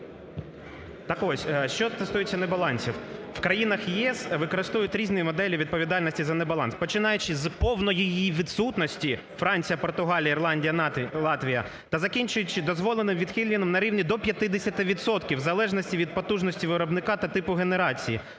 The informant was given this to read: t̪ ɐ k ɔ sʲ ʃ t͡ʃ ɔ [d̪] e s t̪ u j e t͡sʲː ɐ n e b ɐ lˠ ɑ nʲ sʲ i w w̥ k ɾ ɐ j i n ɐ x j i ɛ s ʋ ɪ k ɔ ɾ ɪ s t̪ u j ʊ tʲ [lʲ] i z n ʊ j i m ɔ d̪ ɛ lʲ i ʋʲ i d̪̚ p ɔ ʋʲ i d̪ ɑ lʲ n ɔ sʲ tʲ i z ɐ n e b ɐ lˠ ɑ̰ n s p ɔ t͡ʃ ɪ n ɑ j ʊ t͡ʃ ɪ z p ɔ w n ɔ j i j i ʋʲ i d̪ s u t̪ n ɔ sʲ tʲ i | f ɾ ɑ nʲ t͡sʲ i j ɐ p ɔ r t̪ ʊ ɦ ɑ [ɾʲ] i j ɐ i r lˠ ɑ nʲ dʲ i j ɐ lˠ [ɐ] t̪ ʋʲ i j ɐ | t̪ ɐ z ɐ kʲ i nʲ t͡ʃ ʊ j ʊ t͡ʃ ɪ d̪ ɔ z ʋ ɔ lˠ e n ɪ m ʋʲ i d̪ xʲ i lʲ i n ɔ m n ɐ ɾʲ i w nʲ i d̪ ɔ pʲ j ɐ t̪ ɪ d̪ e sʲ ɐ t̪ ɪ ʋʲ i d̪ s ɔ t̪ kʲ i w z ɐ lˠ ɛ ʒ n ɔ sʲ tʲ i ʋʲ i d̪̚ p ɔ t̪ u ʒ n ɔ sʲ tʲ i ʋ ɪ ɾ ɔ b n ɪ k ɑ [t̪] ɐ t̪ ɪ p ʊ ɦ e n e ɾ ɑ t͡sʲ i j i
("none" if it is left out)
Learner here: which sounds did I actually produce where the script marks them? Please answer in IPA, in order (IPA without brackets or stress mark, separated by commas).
t̪, ɾʲ, lʲ, ɑ, t̪